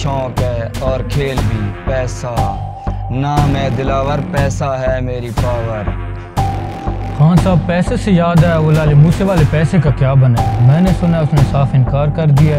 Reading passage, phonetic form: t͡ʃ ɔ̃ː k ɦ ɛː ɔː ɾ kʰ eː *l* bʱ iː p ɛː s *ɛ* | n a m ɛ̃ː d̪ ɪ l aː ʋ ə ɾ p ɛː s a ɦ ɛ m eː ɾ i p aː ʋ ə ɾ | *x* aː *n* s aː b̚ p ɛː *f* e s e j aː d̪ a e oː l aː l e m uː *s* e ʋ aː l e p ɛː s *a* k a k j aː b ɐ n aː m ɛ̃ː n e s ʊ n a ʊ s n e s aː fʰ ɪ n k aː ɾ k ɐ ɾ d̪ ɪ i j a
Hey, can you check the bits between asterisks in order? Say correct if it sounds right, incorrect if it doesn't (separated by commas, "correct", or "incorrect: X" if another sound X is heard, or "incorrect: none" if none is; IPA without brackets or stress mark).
correct, incorrect: a, correct, correct, incorrect: s, correct, incorrect: e